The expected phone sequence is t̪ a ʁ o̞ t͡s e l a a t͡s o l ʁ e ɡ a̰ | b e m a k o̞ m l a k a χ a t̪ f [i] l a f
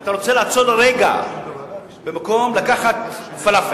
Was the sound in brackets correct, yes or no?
no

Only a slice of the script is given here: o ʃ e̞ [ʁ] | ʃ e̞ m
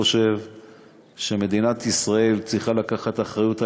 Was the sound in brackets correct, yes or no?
no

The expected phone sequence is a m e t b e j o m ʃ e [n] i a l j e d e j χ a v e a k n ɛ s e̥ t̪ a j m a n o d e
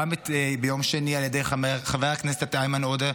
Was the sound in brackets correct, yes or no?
yes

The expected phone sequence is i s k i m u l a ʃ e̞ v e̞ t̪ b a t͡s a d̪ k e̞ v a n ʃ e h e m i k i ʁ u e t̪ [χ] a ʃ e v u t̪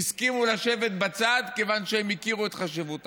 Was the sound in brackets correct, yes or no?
yes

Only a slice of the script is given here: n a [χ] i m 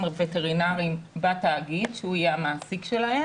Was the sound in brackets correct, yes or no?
no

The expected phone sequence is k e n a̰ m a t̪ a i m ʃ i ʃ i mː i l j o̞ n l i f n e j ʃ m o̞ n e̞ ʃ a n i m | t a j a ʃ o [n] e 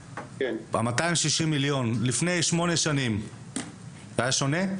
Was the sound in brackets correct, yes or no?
yes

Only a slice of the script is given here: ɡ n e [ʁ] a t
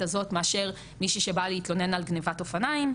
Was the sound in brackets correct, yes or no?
no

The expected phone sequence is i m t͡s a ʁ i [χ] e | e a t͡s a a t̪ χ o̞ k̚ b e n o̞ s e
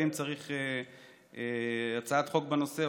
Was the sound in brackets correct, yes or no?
yes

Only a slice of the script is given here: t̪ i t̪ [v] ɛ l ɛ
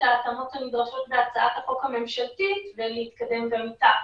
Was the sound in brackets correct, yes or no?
yes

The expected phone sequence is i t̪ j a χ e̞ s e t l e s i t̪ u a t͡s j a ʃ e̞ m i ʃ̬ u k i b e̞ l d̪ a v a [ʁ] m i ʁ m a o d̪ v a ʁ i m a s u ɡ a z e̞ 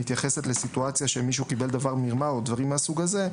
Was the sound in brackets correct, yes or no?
yes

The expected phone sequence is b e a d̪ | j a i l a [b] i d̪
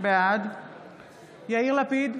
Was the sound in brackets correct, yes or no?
no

